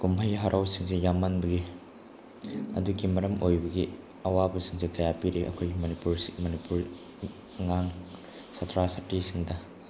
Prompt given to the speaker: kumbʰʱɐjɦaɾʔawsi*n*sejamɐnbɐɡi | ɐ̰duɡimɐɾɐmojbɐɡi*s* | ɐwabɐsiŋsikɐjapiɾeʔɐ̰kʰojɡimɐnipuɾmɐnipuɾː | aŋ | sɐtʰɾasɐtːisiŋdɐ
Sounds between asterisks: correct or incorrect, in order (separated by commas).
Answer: incorrect, incorrect